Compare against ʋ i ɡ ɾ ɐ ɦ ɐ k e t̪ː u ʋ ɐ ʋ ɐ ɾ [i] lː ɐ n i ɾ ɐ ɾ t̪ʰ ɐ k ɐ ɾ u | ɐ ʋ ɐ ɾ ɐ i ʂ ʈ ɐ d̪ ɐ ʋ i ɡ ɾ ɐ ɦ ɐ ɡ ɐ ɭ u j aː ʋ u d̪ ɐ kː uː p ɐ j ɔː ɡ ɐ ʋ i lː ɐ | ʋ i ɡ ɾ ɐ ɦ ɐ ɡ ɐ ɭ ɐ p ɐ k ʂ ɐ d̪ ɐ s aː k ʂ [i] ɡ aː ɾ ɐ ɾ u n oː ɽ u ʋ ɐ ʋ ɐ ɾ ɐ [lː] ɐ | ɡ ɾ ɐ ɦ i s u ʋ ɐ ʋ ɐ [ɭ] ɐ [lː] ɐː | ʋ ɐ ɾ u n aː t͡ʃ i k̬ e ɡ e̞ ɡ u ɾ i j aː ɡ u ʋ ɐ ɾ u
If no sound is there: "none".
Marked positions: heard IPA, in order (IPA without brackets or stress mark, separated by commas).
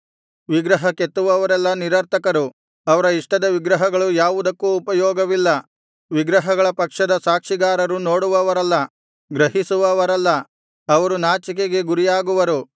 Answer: ɛ, i, lː, ɾ, lː